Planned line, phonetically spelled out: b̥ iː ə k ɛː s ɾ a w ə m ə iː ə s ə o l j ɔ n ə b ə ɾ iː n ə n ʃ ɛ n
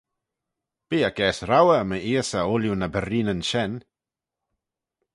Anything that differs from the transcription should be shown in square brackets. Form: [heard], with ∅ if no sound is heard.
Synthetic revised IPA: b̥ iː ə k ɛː s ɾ a w ə m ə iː ə s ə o l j [u] n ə b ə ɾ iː n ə n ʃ ɛ n